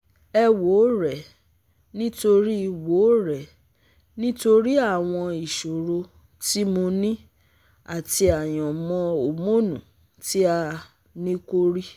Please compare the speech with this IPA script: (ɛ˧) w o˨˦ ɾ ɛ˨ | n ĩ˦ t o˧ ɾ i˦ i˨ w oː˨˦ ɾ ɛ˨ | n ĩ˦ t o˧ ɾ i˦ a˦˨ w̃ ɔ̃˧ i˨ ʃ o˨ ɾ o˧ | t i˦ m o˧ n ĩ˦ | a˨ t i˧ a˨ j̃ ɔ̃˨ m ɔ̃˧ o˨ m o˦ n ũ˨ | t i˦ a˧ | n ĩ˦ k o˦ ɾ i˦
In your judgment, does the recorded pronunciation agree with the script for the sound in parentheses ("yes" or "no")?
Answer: yes